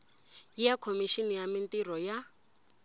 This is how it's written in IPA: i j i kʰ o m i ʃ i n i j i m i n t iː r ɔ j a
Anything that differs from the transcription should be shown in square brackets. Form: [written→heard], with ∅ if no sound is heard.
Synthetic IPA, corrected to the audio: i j [i→a] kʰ o m i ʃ i n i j [i→a] m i n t [iː→i] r ɔ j a